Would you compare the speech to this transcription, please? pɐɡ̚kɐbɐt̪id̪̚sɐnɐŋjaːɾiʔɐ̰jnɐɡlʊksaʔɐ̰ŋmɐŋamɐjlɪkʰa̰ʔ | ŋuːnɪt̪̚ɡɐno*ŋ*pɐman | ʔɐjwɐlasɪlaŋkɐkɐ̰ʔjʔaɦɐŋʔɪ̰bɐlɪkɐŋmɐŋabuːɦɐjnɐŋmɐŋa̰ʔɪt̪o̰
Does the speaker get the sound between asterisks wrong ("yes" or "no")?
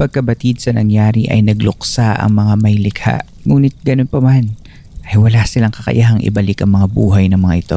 yes